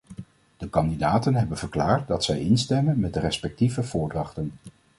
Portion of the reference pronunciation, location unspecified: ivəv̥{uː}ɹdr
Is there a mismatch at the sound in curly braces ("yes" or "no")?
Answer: yes